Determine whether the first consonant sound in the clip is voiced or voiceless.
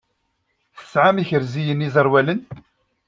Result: voiceless